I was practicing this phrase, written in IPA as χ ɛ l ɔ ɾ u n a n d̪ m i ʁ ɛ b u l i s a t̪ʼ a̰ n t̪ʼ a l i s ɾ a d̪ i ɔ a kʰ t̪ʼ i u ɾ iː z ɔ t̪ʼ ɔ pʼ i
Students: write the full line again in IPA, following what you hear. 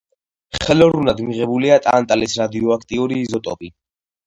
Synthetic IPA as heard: χ ɛ l ɔ ɾ u n a d̪ m i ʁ ɛ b u l i a t̪ʼ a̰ n t̪ʼ a l i s ɾ a d̪ i ɔ a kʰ t̪ʼ i u ɾ iː z ɔ t̪ʼ ɔ pʼ i